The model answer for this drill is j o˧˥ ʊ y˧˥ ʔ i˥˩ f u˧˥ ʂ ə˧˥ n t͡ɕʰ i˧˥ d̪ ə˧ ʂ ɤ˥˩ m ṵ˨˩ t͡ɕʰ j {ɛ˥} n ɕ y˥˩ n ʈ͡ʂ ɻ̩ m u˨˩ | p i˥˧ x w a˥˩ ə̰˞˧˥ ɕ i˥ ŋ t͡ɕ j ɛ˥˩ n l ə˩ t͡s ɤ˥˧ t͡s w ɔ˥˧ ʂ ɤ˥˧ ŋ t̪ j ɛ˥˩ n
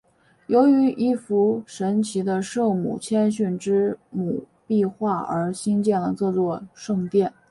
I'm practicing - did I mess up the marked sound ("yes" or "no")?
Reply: no